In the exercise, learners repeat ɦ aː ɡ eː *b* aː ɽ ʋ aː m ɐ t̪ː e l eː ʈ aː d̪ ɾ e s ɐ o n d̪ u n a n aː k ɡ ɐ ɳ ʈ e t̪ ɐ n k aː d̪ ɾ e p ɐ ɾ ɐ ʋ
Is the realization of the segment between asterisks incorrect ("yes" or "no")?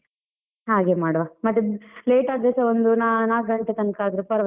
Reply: yes